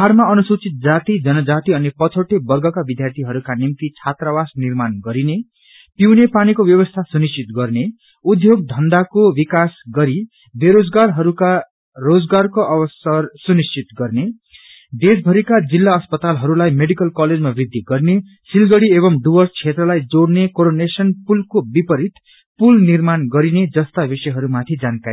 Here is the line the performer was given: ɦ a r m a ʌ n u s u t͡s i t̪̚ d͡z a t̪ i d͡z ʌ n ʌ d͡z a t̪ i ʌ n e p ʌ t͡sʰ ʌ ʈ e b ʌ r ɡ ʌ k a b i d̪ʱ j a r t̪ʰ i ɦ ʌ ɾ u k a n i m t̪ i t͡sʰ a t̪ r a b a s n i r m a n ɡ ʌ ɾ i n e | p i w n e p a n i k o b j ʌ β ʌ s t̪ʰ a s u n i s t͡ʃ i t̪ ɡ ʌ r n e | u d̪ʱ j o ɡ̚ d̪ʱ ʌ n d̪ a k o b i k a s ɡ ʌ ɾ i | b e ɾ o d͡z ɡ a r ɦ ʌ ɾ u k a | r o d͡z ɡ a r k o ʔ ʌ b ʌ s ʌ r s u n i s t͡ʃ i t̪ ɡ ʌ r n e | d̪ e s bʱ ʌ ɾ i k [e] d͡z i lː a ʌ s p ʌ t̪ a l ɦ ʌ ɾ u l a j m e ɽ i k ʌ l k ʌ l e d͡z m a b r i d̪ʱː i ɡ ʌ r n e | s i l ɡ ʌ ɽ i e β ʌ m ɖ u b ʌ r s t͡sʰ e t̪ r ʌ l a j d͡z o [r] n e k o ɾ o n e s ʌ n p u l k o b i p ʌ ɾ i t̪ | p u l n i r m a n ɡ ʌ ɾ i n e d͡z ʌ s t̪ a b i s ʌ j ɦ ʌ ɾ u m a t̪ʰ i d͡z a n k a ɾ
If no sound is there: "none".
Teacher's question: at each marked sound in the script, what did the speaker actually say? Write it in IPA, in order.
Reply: a, ɽ

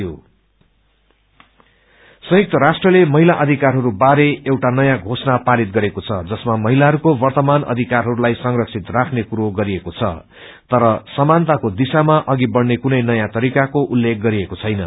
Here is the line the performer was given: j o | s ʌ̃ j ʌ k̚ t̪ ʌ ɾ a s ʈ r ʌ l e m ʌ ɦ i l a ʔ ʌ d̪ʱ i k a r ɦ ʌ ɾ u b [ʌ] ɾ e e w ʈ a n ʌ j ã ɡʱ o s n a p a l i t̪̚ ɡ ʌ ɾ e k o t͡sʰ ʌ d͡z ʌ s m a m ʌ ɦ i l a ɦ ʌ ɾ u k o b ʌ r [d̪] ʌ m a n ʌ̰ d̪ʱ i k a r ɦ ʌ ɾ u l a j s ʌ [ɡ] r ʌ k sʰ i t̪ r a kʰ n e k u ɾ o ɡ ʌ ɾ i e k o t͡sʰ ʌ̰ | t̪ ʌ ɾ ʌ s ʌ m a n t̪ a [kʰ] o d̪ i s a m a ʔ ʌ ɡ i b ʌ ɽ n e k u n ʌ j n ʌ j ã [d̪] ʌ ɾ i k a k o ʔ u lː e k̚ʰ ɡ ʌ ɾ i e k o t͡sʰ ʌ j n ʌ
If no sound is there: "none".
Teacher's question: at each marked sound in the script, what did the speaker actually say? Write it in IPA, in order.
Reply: a, t̪, ŋ, k, t̪

